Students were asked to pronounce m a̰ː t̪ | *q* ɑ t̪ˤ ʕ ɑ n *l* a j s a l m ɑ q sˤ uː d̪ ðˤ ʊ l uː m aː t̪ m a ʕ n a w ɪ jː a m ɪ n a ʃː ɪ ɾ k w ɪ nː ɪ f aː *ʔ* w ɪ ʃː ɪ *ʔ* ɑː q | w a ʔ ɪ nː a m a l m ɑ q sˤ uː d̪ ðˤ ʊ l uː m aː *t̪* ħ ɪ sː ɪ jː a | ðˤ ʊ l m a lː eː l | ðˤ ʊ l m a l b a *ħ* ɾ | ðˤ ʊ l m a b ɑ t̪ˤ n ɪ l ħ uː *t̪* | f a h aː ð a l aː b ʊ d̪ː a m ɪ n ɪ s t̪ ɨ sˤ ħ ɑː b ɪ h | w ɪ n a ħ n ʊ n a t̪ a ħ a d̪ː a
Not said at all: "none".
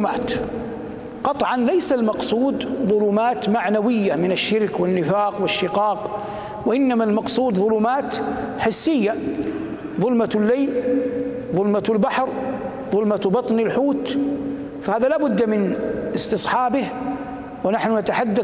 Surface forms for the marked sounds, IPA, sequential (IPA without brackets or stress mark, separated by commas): q, l, q, q, t̪, ħ, t̪